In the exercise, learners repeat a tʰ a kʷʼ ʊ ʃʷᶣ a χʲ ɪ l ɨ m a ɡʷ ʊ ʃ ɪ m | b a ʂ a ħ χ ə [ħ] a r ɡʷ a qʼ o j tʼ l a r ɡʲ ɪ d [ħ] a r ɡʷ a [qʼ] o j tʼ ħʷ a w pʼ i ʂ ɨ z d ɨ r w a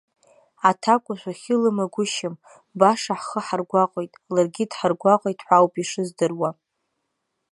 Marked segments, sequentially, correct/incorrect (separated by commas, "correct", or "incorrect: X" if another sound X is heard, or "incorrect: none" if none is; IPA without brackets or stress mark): correct, correct, correct